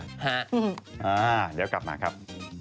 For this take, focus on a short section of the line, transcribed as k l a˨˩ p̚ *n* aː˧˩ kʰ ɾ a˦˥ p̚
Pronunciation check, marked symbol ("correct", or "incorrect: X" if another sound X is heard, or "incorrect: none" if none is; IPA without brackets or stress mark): incorrect: m